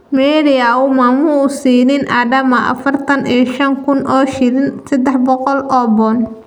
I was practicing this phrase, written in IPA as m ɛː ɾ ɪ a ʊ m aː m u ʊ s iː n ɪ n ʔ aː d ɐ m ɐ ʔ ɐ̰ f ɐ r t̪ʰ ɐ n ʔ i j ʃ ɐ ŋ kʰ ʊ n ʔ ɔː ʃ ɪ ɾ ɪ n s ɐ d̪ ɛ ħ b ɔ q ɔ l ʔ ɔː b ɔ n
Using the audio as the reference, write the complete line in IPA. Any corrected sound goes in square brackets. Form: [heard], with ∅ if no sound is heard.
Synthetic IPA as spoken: m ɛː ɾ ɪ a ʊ m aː m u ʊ s iː n ɪ n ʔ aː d ɐ m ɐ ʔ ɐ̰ f ɐ r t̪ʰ ɐ n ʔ i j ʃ ɐ ŋ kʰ ʊ n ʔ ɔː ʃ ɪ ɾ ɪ n s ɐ d̪ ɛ ħ b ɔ q ɔ l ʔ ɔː b ɔ n